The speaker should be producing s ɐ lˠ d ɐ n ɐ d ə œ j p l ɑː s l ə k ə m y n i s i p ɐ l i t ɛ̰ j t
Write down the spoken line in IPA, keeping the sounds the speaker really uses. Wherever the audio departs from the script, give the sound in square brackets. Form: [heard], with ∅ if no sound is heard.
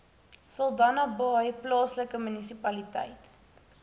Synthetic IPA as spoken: s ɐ lˠ d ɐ n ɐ [b] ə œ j p l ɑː s l ə k ə m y n i s i p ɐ l i t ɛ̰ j t

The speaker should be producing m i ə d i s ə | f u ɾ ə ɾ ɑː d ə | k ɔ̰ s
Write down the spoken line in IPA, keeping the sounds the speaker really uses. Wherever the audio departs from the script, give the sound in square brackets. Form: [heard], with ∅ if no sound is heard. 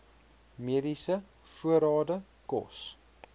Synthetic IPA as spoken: m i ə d i s ə | f u [∅] ə ɾ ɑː d ə | k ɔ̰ s

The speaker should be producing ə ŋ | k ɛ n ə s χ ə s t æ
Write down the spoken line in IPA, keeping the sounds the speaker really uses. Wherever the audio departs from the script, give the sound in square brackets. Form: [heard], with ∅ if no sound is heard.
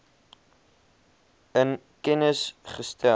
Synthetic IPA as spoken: ə [n] | k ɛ n ə s χ ə s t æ

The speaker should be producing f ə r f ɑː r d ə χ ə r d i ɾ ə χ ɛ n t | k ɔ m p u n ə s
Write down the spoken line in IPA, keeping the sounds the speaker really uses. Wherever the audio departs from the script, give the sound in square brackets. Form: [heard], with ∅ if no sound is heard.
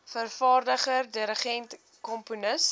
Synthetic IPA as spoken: f ə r f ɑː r d ə χ ə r d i ɾ ə χ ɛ n t | k ɔ m p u n ə s

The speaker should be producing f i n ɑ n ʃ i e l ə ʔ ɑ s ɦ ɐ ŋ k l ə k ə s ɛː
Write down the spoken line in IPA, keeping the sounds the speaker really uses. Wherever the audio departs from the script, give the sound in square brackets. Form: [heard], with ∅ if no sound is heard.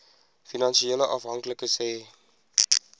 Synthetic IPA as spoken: f i n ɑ n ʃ i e l ə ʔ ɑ [f] ɦ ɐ ŋ k l ə k ə s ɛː

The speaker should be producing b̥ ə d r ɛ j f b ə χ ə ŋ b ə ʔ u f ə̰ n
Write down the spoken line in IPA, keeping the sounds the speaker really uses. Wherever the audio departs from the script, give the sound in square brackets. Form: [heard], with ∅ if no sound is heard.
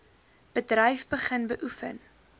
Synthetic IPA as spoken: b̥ ə d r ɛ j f b ə χ ə [n] b ə ʔ u f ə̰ n

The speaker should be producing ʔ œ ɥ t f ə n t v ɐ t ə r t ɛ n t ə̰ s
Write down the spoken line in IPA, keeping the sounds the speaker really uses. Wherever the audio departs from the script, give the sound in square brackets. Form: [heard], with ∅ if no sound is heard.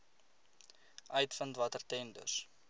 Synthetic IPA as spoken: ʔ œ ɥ t f ə n t v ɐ t ə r t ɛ n [d] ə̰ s

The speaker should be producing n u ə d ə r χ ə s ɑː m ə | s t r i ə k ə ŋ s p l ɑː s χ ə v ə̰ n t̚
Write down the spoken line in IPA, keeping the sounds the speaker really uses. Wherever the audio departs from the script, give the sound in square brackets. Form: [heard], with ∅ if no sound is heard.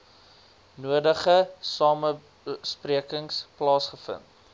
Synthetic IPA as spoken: n u ə d ə [∅] χ ə s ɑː m ə | s [p] r i ə k ə ŋ s p l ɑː s χ ə [f] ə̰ n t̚

